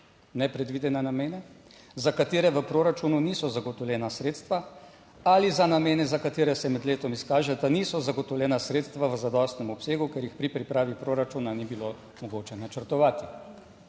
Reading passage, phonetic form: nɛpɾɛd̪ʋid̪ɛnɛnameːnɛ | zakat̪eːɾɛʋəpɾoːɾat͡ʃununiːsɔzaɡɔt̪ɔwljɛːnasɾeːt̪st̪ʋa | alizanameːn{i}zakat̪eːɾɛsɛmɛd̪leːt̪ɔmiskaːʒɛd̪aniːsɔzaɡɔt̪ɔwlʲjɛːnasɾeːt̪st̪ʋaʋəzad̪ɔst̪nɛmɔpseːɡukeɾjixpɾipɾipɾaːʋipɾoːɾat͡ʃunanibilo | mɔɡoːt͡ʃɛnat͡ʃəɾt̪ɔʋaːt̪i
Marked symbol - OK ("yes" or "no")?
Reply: no